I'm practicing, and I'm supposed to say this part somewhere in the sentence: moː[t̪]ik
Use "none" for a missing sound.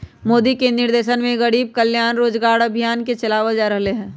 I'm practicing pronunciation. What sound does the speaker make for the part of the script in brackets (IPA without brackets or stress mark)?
d̪